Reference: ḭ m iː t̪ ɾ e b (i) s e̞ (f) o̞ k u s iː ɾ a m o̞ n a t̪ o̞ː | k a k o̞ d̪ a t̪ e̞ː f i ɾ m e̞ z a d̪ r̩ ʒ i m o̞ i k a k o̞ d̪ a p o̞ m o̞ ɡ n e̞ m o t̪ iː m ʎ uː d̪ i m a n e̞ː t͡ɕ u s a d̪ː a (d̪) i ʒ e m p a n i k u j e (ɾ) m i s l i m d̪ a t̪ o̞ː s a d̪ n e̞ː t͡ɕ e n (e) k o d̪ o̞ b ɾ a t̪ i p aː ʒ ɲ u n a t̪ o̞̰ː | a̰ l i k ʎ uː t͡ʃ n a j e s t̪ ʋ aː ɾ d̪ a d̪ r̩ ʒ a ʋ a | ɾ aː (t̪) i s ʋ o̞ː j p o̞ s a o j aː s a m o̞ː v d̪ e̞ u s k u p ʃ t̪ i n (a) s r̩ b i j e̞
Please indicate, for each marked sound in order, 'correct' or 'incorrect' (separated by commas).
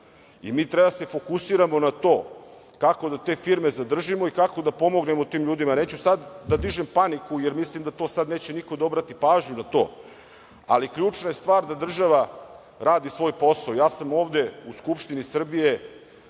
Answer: incorrect, correct, correct, correct, incorrect, incorrect, incorrect